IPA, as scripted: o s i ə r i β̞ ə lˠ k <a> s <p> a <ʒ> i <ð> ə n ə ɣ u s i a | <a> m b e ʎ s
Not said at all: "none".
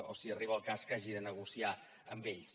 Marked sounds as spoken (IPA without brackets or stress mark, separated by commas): a, k, ʒ, ð, ə